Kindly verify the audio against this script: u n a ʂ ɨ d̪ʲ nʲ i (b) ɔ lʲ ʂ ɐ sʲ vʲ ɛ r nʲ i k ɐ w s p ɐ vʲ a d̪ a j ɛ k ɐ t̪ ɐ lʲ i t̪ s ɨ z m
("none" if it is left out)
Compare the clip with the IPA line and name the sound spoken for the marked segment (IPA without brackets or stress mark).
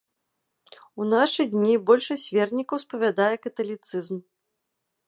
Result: b